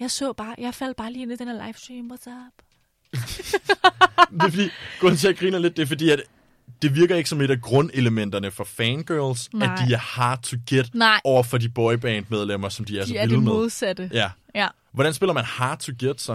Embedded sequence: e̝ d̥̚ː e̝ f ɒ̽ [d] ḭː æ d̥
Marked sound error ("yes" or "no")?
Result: no